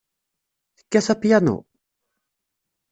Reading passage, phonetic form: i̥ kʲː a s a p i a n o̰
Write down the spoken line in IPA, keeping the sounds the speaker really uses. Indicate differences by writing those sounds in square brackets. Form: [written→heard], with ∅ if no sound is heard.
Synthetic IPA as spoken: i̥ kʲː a s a p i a n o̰